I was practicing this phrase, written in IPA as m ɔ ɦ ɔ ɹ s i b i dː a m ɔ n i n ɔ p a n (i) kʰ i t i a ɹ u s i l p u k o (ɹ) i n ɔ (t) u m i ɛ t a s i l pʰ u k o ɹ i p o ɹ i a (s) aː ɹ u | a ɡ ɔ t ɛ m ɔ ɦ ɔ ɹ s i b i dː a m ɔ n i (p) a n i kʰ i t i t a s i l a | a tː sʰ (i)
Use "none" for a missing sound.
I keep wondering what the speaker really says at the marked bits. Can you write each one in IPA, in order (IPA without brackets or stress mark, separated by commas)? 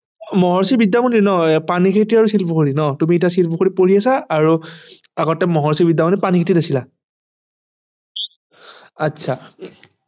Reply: i, ɹ, t, s, p, a